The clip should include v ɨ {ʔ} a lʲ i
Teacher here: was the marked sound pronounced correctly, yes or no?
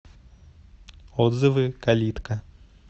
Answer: no